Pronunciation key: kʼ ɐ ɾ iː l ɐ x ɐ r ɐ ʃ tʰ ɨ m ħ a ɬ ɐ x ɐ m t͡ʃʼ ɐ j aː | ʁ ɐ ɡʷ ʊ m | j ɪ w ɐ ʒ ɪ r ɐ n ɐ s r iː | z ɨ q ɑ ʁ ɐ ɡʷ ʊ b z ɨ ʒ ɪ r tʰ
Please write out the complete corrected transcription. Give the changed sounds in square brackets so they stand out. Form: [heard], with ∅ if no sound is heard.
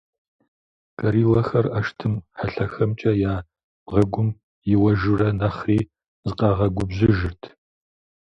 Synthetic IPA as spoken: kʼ ɐ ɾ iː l ɐ x ɐ r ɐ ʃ tʰ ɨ m ħ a ɬ ɐ x ɐ m t͡ʃʼ ɐ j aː | ʁ ɐ ɡʷ ʊ m | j ɪ w ɐ ʒ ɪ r ɐ n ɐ [χ] r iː | z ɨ q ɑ ʁ ɐ ɡʷ ʊ b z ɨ ʒ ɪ r tʰ